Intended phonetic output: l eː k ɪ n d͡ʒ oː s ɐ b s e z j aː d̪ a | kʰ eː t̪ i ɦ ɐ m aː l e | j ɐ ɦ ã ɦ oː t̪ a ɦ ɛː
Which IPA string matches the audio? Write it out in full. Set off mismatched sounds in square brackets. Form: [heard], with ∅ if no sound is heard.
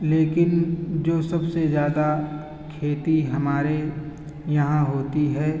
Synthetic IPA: l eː k ɪ n d͡ʒ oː s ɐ b s e z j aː d̪ a | kʰ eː t̪ i ɦ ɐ m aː [ɾ] e | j ɐ ɦ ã ɦ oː t̪ [i] ɦ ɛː